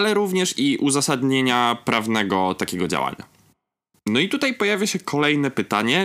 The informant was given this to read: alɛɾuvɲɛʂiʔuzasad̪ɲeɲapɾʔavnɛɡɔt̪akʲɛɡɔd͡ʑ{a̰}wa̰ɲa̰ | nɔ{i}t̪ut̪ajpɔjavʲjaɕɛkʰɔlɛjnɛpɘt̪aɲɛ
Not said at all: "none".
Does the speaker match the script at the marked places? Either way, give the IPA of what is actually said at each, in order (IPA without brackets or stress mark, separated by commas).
a̰, i